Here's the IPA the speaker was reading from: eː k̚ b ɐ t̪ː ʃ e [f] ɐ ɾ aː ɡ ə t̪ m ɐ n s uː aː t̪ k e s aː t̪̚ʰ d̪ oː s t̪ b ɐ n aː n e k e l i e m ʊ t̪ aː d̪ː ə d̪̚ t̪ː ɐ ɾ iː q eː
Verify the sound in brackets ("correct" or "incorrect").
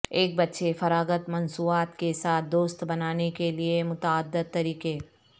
correct